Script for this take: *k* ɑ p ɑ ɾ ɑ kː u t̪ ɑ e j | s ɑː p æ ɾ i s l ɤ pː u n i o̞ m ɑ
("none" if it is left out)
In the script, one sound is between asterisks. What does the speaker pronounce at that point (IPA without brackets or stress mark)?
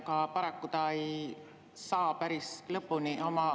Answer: k